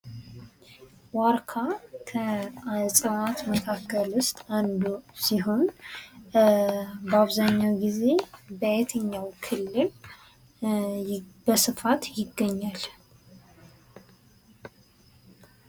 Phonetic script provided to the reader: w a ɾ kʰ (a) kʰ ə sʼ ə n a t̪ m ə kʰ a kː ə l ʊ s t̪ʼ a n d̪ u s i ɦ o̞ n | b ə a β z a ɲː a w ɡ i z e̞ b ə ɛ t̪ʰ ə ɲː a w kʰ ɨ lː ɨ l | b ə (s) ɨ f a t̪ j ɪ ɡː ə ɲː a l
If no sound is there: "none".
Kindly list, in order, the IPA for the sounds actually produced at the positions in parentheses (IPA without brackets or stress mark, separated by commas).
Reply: a, s